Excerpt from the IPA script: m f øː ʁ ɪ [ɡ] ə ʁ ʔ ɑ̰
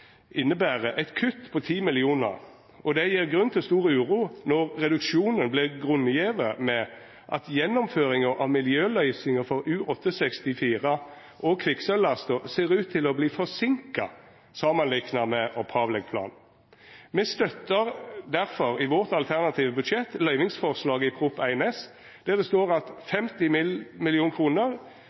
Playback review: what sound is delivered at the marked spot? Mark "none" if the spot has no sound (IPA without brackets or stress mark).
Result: ŋ